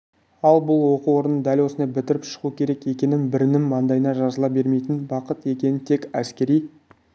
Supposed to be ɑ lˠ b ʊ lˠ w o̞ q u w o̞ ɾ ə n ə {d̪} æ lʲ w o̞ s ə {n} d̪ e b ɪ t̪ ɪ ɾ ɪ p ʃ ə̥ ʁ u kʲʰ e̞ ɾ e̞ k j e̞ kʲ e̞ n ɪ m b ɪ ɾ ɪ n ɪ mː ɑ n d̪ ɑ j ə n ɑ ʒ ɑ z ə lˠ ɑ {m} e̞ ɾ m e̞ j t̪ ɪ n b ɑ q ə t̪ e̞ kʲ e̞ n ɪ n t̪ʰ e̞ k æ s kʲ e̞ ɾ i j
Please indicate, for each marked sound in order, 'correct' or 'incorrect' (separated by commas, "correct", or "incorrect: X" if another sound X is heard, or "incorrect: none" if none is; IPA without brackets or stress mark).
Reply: correct, correct, incorrect: b